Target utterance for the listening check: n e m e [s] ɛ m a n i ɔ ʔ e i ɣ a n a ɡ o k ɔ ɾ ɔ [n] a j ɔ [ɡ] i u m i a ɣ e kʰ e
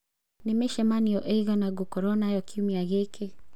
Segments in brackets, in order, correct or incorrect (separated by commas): incorrect, correct, incorrect